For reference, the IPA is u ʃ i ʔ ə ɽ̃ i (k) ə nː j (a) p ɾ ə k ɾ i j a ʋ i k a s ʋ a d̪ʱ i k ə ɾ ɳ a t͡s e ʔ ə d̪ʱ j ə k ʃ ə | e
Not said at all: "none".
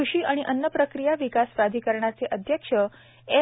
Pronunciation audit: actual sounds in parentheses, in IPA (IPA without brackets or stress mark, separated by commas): ʔ, ə